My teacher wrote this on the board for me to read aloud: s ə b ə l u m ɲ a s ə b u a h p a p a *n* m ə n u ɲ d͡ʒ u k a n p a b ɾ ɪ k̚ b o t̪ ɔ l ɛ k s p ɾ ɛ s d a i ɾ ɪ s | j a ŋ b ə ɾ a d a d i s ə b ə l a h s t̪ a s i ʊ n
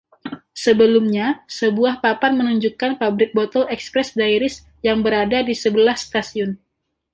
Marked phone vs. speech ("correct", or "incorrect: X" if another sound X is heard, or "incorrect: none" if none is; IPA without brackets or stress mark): correct